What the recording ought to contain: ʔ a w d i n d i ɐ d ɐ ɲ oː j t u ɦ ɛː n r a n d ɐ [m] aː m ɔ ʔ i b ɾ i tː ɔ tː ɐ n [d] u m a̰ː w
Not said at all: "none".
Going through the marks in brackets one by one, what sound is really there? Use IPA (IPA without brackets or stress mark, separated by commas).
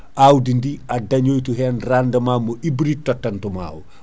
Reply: m, t